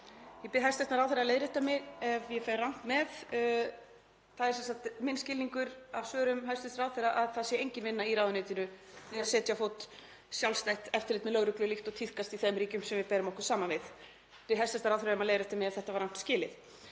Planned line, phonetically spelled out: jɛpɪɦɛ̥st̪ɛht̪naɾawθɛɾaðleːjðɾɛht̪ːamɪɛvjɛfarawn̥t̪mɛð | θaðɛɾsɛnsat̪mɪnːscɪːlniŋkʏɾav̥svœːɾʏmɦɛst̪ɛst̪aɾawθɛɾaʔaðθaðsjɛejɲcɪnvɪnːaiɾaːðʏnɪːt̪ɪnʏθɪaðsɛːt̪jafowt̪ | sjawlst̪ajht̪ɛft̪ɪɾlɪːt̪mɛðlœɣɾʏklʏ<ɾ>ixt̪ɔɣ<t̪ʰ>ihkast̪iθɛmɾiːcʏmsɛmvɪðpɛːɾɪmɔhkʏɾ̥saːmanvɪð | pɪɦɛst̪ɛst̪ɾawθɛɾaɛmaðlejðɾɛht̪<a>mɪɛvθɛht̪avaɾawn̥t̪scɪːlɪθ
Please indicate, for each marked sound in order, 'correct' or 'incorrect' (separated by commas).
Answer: incorrect, correct, correct